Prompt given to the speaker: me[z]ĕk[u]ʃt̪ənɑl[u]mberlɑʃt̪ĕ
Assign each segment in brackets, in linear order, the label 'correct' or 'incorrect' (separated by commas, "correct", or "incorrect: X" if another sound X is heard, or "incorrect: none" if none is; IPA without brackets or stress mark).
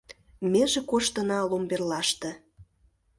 incorrect: ʒ, incorrect: o, incorrect: o